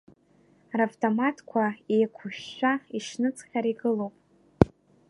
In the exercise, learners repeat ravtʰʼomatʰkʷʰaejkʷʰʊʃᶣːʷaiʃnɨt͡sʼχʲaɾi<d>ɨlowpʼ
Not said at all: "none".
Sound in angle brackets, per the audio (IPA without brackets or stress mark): ɡ